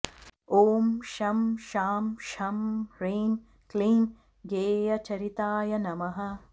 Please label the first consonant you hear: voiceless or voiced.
voiced